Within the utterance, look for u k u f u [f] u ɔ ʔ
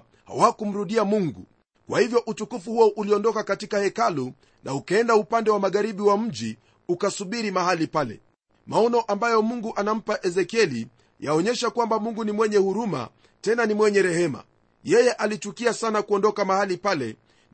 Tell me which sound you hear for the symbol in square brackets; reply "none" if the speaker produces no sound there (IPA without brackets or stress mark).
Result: h